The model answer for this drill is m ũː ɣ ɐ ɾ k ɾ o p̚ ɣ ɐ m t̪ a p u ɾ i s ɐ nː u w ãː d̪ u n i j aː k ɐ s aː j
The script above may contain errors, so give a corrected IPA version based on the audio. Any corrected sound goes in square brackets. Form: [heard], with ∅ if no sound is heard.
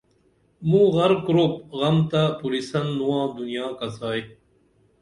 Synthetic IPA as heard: m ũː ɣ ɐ ɾ k ɾ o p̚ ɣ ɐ m t̪ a p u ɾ i s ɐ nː u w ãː d̪ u n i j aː k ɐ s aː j